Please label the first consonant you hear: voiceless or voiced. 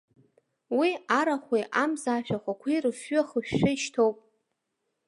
voiced